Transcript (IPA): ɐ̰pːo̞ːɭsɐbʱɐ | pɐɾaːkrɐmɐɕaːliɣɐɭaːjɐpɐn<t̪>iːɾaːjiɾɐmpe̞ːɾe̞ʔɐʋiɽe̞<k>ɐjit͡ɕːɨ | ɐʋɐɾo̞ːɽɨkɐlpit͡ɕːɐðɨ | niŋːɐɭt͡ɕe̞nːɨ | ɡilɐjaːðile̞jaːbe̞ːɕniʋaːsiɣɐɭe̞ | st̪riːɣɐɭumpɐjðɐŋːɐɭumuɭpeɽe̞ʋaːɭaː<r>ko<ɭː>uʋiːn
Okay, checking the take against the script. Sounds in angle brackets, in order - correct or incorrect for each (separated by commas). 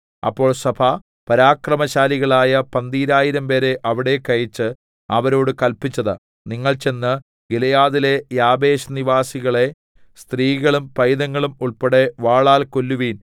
incorrect, correct, incorrect, incorrect